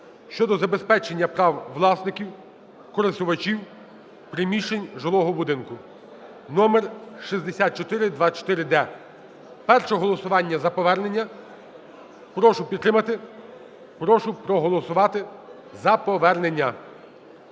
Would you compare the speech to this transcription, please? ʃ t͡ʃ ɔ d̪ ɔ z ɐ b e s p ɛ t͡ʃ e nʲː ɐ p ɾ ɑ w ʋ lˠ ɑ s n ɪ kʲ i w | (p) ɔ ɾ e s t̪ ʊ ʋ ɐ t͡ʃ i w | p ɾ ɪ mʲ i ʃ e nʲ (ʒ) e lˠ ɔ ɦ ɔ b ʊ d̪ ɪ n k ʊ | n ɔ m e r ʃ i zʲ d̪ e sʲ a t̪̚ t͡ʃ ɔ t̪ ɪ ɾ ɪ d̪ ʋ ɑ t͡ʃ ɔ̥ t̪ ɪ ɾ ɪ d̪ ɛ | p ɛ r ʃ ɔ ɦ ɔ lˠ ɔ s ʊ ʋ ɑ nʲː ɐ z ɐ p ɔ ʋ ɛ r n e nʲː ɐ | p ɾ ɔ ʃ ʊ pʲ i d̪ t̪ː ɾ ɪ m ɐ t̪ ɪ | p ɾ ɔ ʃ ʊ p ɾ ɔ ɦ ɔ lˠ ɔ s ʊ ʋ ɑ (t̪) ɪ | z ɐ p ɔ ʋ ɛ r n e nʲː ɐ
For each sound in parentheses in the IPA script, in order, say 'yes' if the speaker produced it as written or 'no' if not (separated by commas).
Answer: no, yes, yes